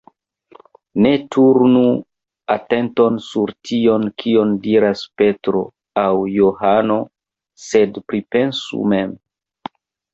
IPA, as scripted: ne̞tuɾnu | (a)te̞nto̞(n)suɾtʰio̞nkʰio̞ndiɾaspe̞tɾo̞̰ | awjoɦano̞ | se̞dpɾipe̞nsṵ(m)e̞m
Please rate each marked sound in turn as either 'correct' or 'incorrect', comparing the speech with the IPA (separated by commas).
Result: correct, correct, correct